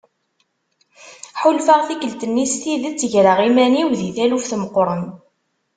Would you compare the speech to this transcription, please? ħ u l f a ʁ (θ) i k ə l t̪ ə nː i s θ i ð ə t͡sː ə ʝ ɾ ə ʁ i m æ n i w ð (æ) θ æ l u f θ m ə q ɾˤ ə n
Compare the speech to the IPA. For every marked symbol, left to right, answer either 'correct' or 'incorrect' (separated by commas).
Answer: correct, incorrect